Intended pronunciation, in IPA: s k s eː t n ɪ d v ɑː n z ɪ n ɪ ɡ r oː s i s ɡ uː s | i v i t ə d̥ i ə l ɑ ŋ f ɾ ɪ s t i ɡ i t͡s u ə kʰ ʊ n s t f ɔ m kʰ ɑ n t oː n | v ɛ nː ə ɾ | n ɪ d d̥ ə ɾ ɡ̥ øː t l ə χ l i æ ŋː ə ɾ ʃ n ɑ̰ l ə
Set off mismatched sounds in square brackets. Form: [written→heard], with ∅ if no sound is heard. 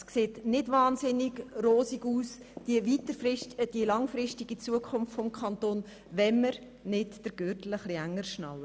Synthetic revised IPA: s k s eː t n ɪ d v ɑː n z ɪ n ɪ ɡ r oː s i [s→∅] ɡ uː s | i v i t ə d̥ i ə l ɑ ŋ f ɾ ɪ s t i ɡ i t͡s u ə kʰ ʊ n [s→f] t f ɔ m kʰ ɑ n t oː n | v ɛ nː ə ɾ | n ɪ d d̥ ə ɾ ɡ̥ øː t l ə χ l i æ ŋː ə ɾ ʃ n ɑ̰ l ə